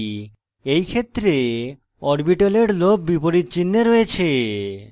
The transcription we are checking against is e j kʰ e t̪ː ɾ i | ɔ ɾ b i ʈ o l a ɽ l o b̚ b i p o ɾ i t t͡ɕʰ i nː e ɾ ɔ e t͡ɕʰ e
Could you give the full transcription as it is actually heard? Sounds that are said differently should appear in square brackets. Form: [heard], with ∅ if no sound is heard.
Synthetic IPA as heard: e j kʰ e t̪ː ɾ [e] | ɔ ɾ b i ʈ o l [e] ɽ l o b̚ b i p o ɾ i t [t͡ɕ] i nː e ɾ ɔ e t͡ɕʰ e